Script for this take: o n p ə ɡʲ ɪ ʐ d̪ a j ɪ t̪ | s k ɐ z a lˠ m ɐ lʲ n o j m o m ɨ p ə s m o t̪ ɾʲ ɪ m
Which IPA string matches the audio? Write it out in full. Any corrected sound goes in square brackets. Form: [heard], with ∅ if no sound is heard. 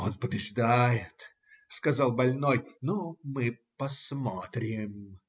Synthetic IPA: o n p ə [bʲ] ɪ ʐ d̪ a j ɪ t̪ | s k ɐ z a lˠ [b] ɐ lʲ n o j [n] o m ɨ p [ɐ] s m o t̪ ɾʲ ɪ m